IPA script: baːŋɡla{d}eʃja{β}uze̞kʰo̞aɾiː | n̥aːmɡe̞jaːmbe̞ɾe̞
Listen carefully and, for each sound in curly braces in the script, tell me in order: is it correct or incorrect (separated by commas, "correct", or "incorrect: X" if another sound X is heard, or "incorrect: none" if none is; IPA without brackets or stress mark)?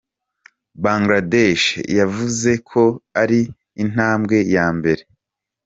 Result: correct, incorrect: v